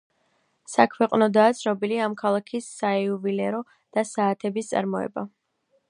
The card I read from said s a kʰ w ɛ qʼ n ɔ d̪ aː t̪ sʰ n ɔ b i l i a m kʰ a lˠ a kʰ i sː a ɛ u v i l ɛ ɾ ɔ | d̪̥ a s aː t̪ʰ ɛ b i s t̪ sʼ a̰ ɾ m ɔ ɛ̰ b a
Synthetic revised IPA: s a kʰ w ɛ qʼ n ɔ d̪ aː t̪ sʰ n ɔ b i l i a m kʰ a lˠ a kʰ i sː a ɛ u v i l ɛ ɾ ɔ | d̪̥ a s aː t̪ʰ ɛ b i s t̪ sʼ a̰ ɾ m ɔ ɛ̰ b a